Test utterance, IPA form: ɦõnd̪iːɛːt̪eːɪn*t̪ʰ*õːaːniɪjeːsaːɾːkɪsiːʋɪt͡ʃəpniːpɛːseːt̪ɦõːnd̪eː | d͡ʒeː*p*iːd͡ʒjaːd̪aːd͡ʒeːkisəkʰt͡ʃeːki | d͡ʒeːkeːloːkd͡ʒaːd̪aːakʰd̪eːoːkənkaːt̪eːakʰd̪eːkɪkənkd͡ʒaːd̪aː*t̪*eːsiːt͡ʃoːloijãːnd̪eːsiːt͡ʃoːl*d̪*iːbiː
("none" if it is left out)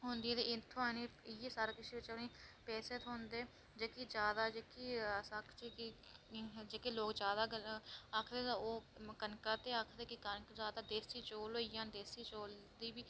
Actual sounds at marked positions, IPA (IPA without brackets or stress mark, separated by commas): t̪ʰ, k, d̪, d̪